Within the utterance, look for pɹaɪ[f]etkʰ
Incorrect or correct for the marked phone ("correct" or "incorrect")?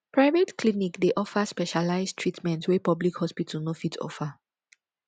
incorrect